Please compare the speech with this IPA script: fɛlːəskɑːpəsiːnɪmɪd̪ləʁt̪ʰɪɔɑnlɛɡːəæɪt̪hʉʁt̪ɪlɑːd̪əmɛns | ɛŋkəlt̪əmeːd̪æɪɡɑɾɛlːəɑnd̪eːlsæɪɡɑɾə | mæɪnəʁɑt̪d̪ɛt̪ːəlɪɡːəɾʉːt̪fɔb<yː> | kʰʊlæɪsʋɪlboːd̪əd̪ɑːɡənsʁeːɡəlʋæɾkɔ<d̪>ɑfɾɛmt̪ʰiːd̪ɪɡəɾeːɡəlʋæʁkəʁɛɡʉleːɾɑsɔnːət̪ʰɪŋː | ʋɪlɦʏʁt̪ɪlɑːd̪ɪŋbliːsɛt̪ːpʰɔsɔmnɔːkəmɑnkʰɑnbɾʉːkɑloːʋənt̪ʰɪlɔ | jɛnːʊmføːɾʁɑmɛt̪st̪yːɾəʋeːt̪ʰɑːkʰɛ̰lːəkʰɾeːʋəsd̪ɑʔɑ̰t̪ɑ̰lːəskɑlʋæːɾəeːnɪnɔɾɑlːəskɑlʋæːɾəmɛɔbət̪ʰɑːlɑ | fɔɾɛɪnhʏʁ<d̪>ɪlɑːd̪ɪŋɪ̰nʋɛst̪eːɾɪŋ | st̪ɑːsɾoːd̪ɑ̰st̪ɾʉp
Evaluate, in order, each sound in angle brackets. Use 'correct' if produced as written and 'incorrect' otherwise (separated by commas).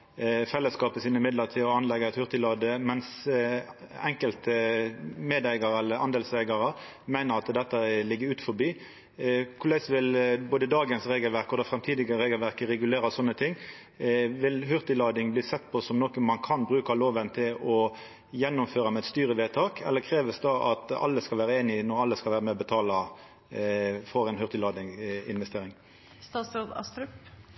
incorrect, correct, incorrect